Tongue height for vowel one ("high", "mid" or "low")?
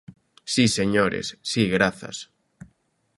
high